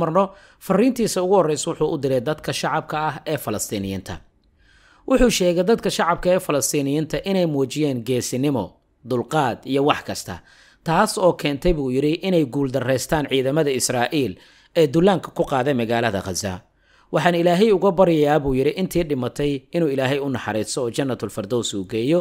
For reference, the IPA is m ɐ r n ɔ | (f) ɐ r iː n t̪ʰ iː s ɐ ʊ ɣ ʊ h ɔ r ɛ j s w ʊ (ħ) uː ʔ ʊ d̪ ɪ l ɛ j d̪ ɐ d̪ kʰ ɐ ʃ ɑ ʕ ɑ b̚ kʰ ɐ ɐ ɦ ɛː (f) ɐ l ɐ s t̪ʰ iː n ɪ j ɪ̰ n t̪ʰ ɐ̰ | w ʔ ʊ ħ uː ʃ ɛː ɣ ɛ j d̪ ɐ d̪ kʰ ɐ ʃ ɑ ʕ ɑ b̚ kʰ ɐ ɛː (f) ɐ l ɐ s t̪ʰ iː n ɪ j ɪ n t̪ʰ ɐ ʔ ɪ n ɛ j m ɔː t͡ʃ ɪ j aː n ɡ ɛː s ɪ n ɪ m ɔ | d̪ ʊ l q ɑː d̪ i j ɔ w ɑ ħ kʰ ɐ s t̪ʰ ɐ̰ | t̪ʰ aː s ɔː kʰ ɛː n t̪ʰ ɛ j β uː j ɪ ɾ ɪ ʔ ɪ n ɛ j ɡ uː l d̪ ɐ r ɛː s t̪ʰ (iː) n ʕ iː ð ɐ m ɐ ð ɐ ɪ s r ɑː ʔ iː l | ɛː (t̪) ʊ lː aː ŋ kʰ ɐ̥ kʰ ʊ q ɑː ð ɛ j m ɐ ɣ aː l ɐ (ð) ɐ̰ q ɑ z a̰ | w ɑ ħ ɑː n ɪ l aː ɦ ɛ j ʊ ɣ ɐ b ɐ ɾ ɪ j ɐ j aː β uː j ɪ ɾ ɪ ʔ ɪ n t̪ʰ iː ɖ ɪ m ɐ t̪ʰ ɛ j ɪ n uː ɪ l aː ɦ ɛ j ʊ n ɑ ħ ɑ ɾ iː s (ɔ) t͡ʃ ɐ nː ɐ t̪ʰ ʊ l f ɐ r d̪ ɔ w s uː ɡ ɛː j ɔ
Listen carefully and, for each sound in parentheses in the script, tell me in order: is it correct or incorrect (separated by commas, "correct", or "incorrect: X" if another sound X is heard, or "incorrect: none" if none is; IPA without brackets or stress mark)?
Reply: correct, correct, correct, correct, incorrect: aː, incorrect: d̪, correct, incorrect: ɔː